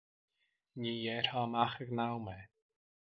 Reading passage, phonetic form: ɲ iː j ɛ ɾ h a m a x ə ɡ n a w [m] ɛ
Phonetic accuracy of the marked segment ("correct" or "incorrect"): correct